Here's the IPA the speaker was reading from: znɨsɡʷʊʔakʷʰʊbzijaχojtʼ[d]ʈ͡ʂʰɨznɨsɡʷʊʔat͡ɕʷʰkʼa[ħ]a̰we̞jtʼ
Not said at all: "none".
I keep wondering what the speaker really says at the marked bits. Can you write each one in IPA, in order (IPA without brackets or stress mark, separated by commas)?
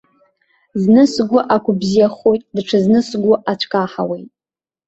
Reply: d, ħ